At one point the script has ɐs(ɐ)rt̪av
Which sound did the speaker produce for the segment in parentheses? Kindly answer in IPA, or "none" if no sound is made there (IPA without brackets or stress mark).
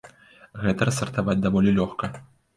ɐ